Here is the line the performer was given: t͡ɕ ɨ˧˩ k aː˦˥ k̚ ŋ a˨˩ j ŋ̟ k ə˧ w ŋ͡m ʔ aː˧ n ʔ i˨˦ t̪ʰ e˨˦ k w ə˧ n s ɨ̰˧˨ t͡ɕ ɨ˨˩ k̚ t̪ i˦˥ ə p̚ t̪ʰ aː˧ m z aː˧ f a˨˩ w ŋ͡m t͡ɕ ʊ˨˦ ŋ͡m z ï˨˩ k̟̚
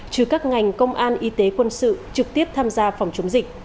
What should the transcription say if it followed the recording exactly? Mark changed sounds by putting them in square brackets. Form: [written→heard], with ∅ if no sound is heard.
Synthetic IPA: t͡ɕ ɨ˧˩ k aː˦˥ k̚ ŋ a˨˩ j ŋ̟ k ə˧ w ŋ͡m ʔ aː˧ n ʔ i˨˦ [t̪ʰ→t̪] e˨˦ k w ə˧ n s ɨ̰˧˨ t͡ɕ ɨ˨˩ k̚ t̪ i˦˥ ə p̚ t̪ʰ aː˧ m z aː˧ f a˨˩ w ŋ͡m t͡ɕ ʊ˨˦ ŋ͡m z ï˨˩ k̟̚